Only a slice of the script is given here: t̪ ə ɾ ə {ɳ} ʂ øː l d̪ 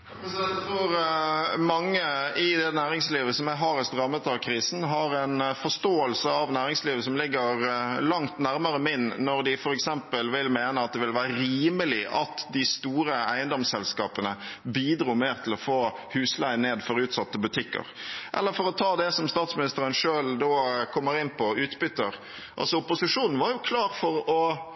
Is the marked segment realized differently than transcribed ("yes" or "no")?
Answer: yes